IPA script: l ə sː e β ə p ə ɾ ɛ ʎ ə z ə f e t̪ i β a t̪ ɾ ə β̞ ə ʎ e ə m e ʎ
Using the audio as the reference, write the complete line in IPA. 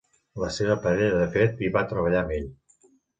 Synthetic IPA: l ə s e β ə p ə ɾ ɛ ʎ ə ð ə f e t̪ i β a t̪ ɾ ə β̞ ə ʎ a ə m e ʎ